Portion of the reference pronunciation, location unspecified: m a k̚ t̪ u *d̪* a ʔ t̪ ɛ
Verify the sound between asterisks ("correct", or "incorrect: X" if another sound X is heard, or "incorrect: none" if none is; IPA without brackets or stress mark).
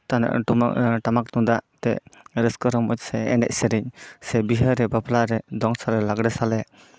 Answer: correct